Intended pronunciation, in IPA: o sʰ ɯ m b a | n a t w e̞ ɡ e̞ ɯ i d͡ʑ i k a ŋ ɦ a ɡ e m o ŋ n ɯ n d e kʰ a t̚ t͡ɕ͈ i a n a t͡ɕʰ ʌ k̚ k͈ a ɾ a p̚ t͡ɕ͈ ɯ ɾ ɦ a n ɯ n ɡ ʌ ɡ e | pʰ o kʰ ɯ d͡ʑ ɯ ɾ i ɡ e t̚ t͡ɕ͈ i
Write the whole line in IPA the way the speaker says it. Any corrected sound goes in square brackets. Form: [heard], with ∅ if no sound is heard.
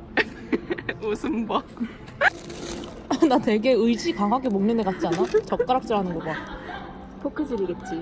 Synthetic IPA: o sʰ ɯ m b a | n a t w e̞ ɡ e̞ ɯ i d͡ʑ i k a ŋ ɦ a ɡ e m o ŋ n ɯ n d e [k] a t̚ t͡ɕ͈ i a n a [t͡ɕ] ʌ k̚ k͈ a ɾ a [k̚] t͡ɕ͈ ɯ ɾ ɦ a n ɯ n ɡ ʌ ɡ [a] | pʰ o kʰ ɯ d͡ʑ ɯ ɾ i ɡ e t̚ t͡ɕ͈ i